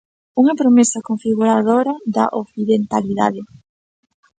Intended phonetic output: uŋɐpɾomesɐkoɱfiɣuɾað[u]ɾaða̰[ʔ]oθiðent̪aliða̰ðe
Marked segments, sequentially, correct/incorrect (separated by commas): incorrect, correct